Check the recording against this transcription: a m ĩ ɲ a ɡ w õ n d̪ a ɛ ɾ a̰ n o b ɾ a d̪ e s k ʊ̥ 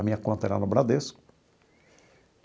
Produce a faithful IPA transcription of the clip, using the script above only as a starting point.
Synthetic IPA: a m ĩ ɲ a k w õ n t̪ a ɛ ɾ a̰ n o b ɾ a d̪ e s k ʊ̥